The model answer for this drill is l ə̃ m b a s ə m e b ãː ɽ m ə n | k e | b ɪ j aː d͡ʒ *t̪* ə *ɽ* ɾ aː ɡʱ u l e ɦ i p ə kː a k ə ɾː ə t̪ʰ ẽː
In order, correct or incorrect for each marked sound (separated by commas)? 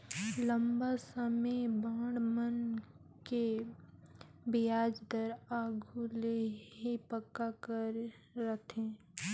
incorrect, incorrect